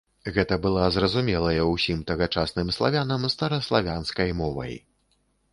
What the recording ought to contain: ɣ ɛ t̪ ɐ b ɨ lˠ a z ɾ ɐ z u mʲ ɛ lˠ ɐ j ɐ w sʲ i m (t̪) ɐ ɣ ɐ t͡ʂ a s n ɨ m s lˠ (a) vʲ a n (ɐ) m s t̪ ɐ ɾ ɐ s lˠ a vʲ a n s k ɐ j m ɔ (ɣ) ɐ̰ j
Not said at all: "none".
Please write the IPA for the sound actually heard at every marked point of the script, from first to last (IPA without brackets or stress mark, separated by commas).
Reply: t̪, a, ɐ, v